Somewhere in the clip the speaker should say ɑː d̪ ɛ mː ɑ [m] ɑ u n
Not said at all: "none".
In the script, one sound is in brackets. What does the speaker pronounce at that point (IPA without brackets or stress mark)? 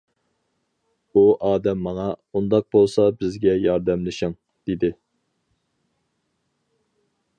ŋ